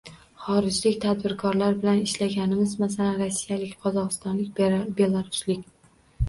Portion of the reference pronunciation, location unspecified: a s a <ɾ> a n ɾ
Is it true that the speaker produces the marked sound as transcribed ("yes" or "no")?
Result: no